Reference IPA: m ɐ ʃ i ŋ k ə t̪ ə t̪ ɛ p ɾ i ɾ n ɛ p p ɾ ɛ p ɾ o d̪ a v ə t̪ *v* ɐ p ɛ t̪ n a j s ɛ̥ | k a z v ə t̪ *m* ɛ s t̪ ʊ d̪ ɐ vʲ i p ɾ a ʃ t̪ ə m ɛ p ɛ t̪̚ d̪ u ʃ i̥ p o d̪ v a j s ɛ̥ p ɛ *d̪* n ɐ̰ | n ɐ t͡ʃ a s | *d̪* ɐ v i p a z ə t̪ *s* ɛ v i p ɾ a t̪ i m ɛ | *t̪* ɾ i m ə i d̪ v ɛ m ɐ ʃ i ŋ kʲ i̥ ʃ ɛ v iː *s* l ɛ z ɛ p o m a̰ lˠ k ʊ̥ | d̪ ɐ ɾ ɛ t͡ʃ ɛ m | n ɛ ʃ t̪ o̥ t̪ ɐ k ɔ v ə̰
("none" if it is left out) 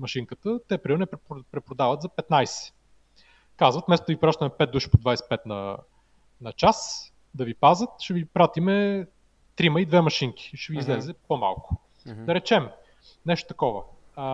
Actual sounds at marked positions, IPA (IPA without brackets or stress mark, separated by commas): z, m, t̪, d̪, ʃ, t̪, z